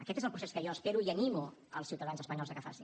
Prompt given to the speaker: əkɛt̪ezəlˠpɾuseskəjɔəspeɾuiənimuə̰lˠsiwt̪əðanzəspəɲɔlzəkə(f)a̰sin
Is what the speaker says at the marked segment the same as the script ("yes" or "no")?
yes